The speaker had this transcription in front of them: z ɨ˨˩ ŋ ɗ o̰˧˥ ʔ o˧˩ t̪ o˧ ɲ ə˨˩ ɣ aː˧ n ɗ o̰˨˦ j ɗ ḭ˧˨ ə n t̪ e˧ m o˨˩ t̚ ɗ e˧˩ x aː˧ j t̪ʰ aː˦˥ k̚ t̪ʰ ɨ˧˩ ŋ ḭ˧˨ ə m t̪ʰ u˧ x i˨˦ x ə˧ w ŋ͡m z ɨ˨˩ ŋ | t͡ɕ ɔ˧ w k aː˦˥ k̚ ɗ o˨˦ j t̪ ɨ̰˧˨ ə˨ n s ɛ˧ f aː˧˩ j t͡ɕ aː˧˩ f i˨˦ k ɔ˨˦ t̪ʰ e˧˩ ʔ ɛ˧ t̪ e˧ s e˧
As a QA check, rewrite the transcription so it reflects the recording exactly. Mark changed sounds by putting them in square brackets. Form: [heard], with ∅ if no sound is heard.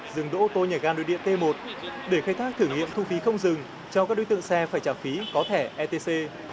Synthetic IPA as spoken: z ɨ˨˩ ŋ ɗ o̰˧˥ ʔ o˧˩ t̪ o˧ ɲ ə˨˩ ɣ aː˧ n ɗ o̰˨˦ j ɗ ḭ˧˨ ə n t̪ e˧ m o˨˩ t̚ ɗ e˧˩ x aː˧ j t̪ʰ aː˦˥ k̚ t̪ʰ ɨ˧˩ ŋ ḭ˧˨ ə m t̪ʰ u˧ [f] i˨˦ x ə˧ w ŋ͡m z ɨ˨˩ ŋ | t͡ɕ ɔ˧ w k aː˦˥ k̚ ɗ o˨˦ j t̪ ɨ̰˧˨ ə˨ [ŋ] s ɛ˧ f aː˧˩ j t͡ɕ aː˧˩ f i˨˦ k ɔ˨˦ t̪ʰ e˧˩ ʔ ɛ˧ t̪ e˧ s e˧

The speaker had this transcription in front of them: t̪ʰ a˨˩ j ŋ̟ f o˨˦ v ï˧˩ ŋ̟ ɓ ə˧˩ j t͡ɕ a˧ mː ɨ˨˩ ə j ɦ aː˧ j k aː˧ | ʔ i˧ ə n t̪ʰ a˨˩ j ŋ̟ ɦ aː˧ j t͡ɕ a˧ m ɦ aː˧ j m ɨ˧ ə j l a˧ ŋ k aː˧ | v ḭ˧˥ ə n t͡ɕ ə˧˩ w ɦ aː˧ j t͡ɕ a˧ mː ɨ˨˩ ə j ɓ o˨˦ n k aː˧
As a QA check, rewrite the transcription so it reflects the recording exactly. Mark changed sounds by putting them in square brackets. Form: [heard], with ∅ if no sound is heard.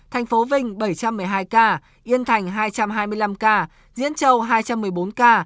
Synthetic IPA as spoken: t̪ʰ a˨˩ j ŋ̟ f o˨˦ v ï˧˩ ŋ̟ ɓ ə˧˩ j t͡ɕ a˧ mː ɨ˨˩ ə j ɦ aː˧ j k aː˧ | ʔ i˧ ə n t̪ʰ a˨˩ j ŋ̟ ɦ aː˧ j t͡ɕ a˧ m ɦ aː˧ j m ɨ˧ ə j l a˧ [m] k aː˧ | [z] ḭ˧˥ ə n t͡ɕ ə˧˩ w ɦ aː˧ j t͡ɕ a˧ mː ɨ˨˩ ə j ɓ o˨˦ n k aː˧

